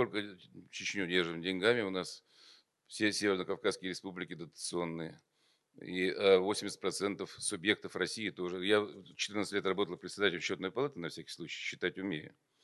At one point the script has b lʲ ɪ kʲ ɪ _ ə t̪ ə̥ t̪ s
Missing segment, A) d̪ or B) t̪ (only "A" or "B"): A